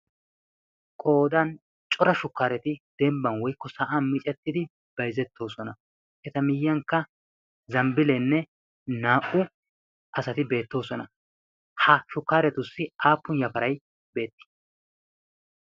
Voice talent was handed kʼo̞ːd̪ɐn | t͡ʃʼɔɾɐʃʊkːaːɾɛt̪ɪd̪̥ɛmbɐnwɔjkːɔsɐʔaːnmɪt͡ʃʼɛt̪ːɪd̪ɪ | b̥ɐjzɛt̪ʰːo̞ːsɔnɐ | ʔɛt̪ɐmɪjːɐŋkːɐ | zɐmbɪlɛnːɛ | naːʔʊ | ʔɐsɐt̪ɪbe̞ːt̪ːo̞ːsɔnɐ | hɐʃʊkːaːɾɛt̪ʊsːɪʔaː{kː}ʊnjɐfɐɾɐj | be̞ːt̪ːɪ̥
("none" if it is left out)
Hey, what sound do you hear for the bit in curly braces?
pː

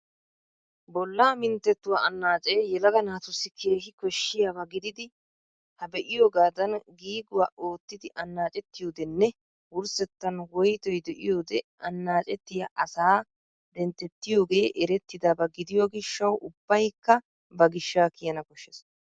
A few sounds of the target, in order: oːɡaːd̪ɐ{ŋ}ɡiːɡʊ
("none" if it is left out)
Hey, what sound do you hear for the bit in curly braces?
n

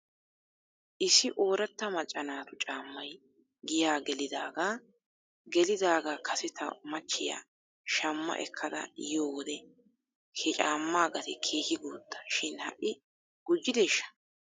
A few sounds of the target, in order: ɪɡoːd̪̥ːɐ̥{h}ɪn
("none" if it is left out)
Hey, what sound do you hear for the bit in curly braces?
ʃ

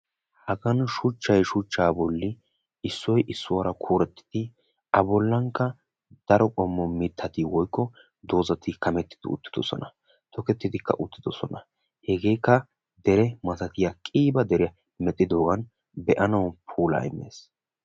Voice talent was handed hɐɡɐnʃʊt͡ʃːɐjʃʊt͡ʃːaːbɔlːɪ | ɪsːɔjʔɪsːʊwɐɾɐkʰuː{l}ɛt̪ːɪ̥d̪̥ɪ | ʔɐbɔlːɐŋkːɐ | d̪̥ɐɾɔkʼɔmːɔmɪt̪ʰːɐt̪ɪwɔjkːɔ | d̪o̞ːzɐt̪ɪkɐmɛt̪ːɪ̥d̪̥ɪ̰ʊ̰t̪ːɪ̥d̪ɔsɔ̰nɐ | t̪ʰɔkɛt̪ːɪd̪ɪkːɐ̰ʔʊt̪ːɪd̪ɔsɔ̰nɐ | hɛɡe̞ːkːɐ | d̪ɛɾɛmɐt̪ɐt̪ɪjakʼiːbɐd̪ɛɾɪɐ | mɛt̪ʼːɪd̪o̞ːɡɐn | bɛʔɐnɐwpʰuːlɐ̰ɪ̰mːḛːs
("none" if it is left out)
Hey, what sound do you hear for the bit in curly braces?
ɾ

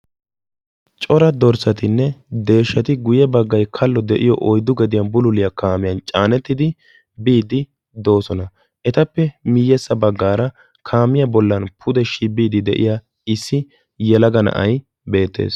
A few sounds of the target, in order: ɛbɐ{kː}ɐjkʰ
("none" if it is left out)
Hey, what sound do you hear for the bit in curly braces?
ɡː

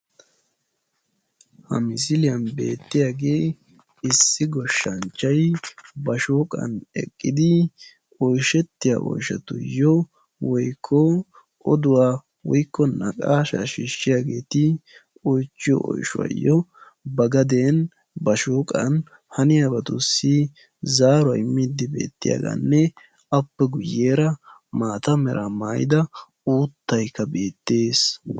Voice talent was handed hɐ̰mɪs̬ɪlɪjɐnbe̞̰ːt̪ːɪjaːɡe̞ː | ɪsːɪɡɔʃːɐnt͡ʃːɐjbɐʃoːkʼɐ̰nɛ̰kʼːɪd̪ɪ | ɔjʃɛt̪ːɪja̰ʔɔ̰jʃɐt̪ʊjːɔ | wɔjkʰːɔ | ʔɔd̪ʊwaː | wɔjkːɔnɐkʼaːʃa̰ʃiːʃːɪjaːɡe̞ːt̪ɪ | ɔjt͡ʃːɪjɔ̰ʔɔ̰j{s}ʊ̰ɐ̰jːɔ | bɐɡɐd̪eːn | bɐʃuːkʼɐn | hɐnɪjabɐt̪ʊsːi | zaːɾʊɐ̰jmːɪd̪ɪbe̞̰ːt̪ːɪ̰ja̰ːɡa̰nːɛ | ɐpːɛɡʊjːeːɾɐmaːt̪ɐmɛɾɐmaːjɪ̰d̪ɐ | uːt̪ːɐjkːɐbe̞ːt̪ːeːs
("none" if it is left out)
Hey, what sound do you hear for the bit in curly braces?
ʃ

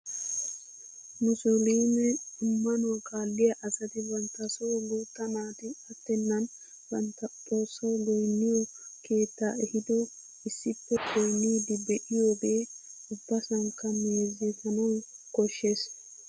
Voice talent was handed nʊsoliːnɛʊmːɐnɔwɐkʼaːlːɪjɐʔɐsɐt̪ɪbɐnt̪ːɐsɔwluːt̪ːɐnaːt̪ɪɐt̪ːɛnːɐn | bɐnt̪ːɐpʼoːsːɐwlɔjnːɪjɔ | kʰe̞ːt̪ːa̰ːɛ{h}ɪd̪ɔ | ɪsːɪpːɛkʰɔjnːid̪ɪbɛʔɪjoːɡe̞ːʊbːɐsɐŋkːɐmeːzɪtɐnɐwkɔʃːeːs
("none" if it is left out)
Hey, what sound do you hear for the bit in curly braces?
h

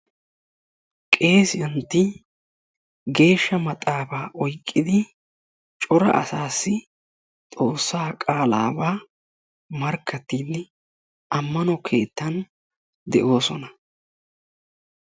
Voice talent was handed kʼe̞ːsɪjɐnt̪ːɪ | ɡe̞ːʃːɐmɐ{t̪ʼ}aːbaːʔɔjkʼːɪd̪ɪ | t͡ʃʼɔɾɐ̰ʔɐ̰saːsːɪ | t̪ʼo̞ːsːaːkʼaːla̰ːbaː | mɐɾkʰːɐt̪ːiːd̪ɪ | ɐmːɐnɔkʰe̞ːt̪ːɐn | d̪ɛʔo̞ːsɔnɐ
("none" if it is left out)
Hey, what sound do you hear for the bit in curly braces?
t̪ʼ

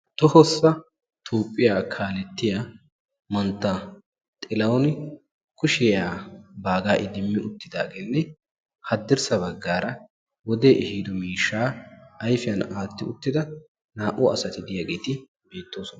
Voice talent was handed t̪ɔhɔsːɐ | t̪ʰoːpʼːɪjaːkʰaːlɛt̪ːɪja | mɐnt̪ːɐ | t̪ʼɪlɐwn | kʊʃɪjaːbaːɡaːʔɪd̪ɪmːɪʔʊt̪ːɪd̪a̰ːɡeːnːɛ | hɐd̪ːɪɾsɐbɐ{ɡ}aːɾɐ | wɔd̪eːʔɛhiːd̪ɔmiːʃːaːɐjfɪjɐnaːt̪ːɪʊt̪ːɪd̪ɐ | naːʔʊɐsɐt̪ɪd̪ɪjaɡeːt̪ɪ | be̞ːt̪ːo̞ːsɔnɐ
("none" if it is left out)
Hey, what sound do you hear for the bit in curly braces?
ɡː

